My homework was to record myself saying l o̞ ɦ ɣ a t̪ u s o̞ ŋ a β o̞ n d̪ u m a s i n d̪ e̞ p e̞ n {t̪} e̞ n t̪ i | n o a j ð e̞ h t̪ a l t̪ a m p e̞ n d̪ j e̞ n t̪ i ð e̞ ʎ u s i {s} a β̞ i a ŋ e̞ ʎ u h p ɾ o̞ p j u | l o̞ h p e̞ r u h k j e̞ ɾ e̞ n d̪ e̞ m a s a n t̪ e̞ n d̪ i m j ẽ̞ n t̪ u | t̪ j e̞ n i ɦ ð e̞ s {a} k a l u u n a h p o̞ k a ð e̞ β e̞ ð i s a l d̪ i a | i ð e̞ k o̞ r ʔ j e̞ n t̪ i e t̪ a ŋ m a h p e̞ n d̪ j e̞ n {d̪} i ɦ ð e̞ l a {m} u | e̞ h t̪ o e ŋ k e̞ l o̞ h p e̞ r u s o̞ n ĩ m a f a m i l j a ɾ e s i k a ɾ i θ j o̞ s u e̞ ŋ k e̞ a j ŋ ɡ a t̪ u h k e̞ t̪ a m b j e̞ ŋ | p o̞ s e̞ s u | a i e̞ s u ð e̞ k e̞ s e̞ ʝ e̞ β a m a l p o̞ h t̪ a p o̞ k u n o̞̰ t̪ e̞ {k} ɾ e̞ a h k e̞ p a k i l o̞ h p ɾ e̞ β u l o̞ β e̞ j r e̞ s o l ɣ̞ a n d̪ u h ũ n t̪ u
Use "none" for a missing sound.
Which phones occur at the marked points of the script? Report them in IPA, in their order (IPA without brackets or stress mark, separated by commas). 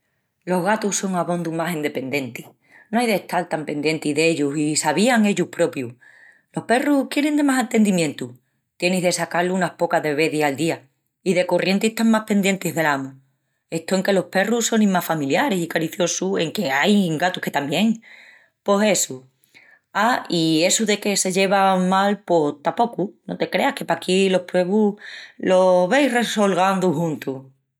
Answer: d̪, s, a, t̪, m, k